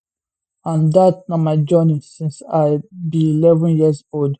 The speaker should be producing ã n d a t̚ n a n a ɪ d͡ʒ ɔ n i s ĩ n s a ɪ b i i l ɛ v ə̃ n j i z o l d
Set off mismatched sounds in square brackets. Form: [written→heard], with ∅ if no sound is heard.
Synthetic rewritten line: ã n d a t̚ n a [n→m] a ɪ d͡ʒ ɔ n i s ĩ n s a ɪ b i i l ɛ v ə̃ n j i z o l d